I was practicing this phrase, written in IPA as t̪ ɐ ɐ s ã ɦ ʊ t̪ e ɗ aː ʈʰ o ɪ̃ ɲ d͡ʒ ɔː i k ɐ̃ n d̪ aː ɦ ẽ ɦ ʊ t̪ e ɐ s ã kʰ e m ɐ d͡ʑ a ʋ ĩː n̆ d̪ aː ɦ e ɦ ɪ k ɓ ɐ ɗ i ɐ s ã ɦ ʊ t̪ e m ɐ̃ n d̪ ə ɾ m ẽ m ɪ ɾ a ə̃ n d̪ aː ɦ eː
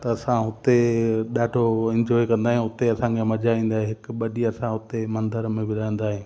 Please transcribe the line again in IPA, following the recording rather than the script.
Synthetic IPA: t̪ ɐ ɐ s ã ɦ ʊ t̪ e ɗ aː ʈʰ o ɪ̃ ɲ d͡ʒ ɔː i k ɐ̃ n d̪ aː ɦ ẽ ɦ ʊ t̪ e ɐ s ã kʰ e m ɐ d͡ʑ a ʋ ĩː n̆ d̪ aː ɦ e ɦ ɪ k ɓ ɐ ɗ i ɐ s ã ɦ ʊ t̪ e m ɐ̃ n d̪ ə ɾ m ẽ b ɪ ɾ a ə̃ n d̪ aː ɦ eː